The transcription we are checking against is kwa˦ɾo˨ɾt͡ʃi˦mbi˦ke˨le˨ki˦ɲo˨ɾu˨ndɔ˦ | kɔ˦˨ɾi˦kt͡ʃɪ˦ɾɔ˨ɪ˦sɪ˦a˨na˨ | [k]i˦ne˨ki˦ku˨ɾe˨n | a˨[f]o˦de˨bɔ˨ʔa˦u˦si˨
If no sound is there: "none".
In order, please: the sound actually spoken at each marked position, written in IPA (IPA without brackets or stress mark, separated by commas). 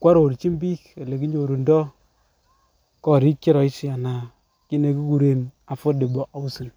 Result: k, f